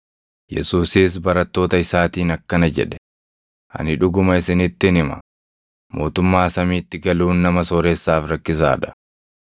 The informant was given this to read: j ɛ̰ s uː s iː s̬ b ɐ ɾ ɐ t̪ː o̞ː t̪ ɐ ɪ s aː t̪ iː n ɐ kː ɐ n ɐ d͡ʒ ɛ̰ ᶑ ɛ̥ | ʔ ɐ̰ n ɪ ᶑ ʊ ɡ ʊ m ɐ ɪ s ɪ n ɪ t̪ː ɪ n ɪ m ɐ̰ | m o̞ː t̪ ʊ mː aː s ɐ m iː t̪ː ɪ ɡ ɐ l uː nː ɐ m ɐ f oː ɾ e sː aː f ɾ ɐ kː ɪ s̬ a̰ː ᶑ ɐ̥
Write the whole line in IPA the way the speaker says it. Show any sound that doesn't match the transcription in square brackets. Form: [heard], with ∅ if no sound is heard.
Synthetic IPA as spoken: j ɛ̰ s uː s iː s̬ b ɐ ɾ ɐ t̪ː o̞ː t̪ ɐ ɪ s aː t̪ iː n ɐ kː ɐ n ɐ d͡ʒ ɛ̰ ᶑ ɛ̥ | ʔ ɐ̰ n ɪ ᶑ ʊ ɡ ʊ m ɐ ɪ s ɪ n ɪ t̪ː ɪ n ɪ m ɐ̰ | m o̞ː t̪ ʊ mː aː s ɐ m iː t̪ː ɪ ɡ ɐ l uː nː ɐ m ɐ [s] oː ɾ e sː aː f ɾ ɐ kː ɪ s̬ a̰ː ᶑ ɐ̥